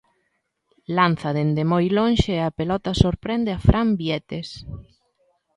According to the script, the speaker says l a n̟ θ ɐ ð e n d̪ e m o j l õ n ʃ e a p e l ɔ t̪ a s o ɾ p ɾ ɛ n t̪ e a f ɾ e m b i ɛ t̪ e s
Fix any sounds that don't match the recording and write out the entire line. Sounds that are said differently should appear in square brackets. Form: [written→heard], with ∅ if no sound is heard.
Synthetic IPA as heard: l a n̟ θ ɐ ð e n d̪ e m o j l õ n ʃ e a p e l ɔ t̪ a s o ɾ p ɾ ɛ n [t̪→d̪] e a f ɾ [e→a] m b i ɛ t̪ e s